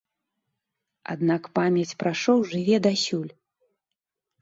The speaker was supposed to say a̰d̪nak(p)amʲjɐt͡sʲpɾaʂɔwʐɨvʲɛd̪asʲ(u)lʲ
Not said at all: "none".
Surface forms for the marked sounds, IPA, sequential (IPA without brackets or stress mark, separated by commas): p, u